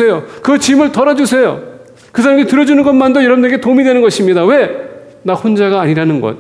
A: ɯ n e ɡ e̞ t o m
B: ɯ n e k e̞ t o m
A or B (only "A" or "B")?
A